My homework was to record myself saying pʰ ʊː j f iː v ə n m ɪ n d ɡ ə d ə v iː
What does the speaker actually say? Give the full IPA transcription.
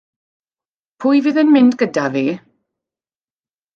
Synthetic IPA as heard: pʰ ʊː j v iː ð ə n m ɪ n d ɡ ə d a v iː